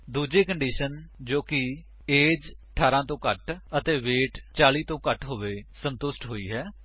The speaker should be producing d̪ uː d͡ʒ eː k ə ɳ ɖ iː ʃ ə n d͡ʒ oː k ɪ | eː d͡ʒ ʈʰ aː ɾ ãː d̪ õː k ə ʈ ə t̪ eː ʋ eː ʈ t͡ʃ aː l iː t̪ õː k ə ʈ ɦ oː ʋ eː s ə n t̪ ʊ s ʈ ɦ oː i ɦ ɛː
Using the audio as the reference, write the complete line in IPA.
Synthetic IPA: d̪ uː d͡ʒ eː k ə ɳ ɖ iː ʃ ə n d͡ʒ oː k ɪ | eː d͡ʒ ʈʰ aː ɾ ãː t̪ õː k ə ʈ ə t̪ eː ʋ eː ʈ t͡ʃ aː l iː t̪ õː k ə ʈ ɦ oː ʋ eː s ə n t̪ ʊ s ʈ ɦ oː iː ɦ ɛː